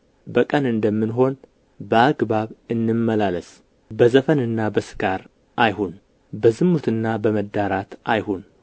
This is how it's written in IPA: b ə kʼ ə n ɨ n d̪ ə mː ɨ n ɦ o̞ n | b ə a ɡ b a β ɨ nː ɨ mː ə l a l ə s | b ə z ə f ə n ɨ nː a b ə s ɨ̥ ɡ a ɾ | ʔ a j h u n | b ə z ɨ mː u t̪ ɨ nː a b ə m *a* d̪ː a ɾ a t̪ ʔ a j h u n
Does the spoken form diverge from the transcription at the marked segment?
yes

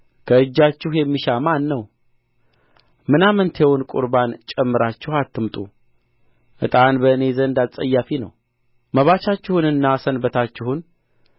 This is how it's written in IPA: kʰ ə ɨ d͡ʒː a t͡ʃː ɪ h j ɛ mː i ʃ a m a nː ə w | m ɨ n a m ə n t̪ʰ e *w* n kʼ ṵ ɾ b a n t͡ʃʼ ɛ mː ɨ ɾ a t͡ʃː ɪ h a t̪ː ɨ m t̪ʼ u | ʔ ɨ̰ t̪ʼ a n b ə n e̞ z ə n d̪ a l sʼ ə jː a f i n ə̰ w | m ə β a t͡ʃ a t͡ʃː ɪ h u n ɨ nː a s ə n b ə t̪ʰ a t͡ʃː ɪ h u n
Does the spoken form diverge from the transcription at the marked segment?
no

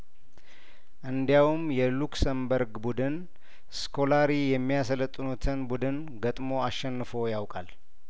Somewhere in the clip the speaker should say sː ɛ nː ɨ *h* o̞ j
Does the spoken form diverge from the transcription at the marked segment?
yes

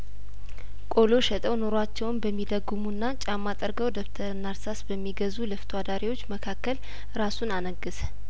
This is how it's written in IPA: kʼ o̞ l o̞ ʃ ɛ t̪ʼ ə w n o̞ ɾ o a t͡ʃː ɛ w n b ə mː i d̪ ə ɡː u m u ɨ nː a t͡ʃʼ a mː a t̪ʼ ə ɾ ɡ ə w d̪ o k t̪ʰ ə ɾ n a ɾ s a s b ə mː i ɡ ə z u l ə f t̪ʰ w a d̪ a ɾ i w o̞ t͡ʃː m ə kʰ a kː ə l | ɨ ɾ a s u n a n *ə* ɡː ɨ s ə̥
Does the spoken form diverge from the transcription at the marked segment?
no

